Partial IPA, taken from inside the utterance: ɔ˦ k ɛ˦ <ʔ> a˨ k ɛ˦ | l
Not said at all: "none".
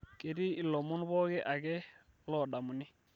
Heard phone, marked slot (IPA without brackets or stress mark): ʔ